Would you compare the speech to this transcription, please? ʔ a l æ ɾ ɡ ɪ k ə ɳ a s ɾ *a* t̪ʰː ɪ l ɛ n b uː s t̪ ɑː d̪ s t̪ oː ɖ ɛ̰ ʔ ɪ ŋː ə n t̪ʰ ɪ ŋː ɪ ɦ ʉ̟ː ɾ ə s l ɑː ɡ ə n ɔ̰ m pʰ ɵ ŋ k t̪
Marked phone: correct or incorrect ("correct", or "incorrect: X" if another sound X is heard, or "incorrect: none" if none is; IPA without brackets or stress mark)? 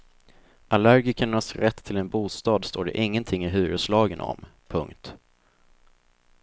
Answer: incorrect: ɛ